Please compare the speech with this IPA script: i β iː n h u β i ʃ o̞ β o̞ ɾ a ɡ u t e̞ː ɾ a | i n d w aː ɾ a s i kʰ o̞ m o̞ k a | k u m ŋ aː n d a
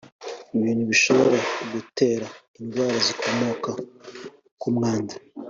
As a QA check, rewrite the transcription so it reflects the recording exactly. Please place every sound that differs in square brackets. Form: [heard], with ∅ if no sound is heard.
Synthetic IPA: i β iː n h u β i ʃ o̞ β o̞ ɾ a ɡ u t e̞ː ɾ a | i n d w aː ɾ a [z] i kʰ o̞ m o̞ k a | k u m ŋ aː n d a